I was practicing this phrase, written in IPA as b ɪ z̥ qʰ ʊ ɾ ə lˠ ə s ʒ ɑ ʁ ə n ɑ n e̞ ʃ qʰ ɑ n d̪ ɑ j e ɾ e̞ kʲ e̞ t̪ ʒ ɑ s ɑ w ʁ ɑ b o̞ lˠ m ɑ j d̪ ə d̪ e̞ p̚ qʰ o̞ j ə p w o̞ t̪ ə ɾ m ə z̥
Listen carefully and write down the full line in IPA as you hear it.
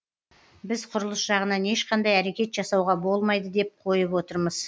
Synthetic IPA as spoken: b ɪ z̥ qʰ ʊ ɾ ə lˠ ə s ʒ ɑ ʁ ə n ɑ n e̞ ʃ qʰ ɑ n d̪ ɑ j æ ɾ e̞ kʲ e̞ t̪ ʒ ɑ s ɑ w ʁ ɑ b o̞ lˠ m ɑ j d̪ ə d̪ e̞ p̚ qʰ o̞ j ə p w o̞ t̪ ə ɾ m ə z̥